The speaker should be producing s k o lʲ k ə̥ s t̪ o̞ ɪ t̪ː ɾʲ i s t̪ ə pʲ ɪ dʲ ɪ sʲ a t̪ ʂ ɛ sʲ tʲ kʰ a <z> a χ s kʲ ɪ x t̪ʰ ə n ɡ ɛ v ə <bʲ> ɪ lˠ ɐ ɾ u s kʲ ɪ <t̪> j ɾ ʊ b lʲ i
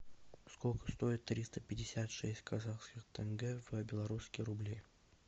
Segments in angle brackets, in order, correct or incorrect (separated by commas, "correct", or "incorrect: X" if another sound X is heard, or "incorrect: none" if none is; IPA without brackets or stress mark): correct, correct, incorrect: none